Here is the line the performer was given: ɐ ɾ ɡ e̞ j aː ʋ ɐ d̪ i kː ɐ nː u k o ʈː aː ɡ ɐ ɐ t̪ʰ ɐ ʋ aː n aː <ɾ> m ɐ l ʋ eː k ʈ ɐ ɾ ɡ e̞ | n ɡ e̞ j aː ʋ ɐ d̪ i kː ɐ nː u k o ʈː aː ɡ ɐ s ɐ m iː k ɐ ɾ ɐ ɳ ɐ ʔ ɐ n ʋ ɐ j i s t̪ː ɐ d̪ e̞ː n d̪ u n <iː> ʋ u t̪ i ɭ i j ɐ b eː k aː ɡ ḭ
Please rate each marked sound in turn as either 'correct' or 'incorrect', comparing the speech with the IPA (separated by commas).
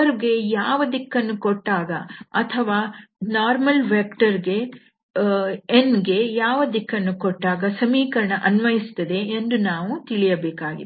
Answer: correct, incorrect